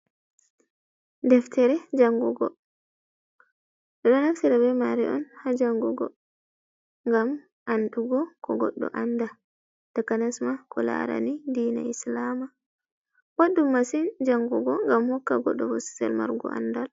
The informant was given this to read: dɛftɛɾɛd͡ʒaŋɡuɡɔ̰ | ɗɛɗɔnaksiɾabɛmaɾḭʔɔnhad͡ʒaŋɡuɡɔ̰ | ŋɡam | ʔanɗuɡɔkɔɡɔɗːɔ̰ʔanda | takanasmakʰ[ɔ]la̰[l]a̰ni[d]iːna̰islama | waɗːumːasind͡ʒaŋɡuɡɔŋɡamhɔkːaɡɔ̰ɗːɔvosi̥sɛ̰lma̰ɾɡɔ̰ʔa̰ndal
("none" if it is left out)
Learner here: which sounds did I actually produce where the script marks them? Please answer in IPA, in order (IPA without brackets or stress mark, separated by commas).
ɔ, ɾ, d